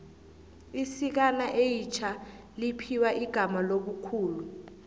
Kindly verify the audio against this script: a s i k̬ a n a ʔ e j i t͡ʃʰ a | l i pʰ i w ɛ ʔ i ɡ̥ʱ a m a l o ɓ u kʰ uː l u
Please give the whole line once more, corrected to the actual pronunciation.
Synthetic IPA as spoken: i s i k̬ a n a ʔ e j i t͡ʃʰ a | l i pʰ i w a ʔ i ɡ̥ʱ a m a l o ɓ u kʰ uː l u